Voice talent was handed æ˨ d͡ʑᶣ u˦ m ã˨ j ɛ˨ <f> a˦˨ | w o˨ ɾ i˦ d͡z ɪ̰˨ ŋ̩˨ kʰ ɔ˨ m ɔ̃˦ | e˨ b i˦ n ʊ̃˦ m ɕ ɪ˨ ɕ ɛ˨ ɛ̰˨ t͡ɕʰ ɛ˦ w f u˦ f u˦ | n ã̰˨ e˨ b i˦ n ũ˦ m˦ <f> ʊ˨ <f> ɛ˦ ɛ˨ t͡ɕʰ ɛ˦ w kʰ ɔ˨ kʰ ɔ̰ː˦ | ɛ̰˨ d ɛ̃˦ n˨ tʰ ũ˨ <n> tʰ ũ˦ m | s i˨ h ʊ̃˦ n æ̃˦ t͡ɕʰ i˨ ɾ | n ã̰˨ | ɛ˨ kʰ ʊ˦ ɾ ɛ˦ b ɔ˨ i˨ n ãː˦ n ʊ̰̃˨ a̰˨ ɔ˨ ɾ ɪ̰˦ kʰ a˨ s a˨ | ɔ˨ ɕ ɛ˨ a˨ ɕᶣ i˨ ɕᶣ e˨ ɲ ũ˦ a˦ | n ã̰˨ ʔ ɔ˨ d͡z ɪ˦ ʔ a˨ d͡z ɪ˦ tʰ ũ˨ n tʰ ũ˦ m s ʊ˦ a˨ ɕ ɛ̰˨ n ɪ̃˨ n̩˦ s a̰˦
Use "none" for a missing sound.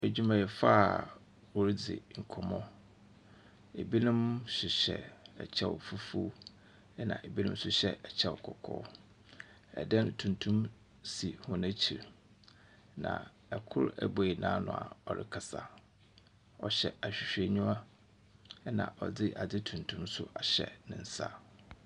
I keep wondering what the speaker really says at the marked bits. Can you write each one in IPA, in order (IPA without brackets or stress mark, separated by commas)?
f, s, ɕ, n